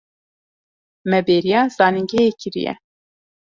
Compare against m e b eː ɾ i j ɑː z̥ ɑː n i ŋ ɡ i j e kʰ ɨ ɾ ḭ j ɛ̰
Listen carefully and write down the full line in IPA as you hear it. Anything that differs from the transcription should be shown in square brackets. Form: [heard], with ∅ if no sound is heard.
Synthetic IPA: m [ɛ] b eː ɾ i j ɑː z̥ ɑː n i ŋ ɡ [ɛ] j e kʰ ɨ ɾ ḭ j ɛ̰